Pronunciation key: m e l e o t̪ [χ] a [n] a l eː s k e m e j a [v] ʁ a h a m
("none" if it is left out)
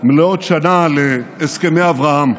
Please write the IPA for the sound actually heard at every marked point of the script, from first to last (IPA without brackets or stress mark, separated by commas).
ʃ, n, v